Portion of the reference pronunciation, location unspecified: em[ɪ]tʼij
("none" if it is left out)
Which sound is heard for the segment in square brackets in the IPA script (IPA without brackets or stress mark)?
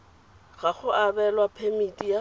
i